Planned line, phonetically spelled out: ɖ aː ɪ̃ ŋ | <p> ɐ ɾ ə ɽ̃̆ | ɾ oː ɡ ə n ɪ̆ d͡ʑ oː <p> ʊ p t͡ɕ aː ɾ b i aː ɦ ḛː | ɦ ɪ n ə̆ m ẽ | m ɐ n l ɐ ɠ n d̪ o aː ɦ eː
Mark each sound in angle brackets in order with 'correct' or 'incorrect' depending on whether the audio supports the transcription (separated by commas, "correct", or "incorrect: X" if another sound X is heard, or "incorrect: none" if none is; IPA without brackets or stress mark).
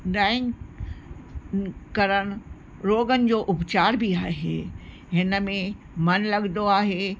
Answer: incorrect: k, incorrect: ʔ